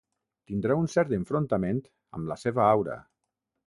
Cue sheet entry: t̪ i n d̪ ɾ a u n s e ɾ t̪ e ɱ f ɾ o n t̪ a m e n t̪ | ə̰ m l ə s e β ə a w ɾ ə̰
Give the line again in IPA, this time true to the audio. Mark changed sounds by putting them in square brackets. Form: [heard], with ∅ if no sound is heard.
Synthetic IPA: t̪ i n d̪ ɾ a u n s [ɛ] ɾ t̪ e ɱ f ɾ o n t̪ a m e n t̪ | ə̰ m l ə s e β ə a w ɾ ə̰